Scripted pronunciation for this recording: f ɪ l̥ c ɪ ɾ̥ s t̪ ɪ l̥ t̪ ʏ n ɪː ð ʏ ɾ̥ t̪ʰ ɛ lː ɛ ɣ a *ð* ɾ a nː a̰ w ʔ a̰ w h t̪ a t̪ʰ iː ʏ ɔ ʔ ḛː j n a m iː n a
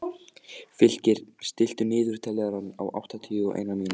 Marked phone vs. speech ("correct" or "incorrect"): incorrect